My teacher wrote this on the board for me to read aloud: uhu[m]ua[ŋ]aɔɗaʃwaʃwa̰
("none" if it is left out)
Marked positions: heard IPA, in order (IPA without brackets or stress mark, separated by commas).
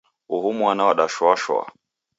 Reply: m, n